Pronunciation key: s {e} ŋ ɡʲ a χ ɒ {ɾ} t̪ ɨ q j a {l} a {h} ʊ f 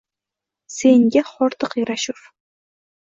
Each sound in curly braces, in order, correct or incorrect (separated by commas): correct, correct, incorrect, incorrect